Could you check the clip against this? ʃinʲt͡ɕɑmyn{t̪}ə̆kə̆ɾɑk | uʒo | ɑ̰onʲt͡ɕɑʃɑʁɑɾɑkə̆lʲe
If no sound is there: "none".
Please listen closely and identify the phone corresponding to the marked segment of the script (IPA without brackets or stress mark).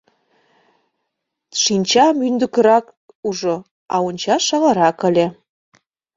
d̪